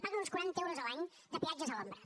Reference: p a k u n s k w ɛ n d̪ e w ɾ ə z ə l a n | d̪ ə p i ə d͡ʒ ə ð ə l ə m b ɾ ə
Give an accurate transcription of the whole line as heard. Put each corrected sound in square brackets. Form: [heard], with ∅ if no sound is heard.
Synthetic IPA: p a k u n s k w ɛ n [t̪] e w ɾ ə z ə l a [ɲ] | d̪ ə p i [a] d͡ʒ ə [z] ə l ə m b ɾ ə